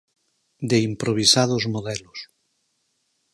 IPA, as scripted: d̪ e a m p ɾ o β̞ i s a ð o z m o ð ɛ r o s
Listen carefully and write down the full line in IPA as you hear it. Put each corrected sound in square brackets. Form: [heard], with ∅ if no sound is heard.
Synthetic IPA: d̪ e [i] m p ɾ o β̞ i s a ð o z m o ð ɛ [l] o s